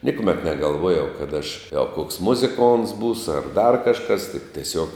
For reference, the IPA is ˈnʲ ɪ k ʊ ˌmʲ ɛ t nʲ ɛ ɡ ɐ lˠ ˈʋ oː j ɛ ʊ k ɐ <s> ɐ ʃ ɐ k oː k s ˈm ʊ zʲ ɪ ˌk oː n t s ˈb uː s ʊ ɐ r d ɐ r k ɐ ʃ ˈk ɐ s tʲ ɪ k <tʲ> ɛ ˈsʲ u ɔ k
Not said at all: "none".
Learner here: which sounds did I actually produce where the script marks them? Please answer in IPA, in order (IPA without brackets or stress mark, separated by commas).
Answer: t, tʲ